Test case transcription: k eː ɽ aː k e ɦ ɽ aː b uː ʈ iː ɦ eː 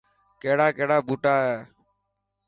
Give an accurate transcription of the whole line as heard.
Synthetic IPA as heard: k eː ɽ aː k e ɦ ɽ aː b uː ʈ aː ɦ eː